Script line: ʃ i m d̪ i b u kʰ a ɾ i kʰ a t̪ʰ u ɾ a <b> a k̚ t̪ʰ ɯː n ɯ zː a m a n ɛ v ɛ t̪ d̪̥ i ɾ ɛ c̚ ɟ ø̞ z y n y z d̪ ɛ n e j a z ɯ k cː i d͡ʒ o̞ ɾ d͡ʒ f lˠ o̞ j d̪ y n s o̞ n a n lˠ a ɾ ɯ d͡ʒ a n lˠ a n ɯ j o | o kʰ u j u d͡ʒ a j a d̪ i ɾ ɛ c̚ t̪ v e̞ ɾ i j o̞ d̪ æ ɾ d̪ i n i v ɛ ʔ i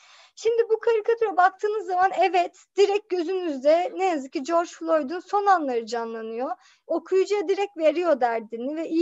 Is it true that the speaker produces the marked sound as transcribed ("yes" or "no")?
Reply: yes